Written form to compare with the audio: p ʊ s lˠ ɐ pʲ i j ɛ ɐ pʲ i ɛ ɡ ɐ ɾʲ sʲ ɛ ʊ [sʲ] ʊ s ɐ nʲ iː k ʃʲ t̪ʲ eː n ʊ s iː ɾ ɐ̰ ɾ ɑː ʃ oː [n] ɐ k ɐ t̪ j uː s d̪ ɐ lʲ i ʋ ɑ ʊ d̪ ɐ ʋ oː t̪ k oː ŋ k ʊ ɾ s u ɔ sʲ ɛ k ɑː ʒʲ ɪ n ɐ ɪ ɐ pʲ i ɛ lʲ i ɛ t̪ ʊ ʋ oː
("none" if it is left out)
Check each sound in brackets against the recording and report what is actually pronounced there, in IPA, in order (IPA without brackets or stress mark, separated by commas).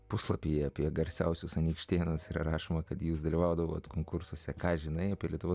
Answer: sʲ, m